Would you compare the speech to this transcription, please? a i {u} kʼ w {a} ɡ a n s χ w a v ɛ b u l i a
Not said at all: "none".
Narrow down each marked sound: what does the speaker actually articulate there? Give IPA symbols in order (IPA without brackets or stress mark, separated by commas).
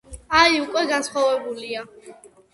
u, ɛ